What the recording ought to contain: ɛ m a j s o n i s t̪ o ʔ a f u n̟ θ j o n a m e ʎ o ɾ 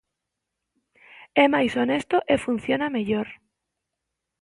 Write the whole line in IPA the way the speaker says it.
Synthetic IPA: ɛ m a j s o n e s t̪ o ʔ e f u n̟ θ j o n a m e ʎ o ɾ

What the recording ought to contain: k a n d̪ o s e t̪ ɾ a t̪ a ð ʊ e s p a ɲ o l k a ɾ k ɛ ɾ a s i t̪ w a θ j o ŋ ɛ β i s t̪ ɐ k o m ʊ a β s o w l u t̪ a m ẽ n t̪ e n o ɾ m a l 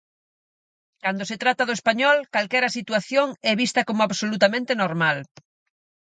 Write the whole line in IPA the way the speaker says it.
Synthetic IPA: k a n d̪ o s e t̪ ɾ a t̪ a ð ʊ e s p a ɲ ɔ l k a l k ɛ ɾ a s i t̪ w a θ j o ŋ ɛ β i s t̪ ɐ k o m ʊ a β s o l u t̪ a m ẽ n t̪ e n o ɾ m a l

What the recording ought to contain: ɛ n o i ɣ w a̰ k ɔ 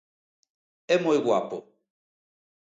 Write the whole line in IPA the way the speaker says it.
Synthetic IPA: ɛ m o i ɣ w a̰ p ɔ

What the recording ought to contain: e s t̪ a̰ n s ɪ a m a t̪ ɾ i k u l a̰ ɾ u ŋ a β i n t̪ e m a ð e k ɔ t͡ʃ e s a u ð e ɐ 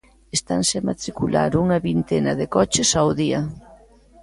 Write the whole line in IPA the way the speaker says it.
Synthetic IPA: e s t̪ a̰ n s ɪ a m a t̪ ɾ i k u l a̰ ɾ u ŋ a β i n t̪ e n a ð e k ɔ t͡ʃ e s a w ð i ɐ

